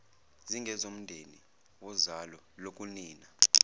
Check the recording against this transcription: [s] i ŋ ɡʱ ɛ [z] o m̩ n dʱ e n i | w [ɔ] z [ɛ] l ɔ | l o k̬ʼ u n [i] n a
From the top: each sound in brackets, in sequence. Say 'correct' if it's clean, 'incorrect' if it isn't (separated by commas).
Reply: incorrect, correct, correct, incorrect, incorrect